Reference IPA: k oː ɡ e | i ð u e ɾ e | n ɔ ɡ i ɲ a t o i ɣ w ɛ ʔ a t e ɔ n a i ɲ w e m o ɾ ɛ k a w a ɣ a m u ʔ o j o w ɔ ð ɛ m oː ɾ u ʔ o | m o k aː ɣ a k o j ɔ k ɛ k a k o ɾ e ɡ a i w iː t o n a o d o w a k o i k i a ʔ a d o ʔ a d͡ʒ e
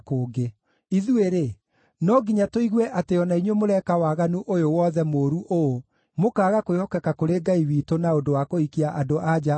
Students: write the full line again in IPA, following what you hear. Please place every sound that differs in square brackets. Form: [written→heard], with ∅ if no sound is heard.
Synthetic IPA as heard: k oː ɡ e | i ð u e ɾ e | n ɔ ɡ i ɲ a t o i ɣ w ɛ ʔ a t e ɔ n a i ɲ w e m o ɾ ɛ k a w a ɣ a [m→n] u ʔ o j o w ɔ ð ɛ m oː ɾ u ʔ o | m o k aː ɣ a k o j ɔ k ɛ k a k o ɾ e ɡ a i w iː t o n a o d o w a k o i k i a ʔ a d o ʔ a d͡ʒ [e→a]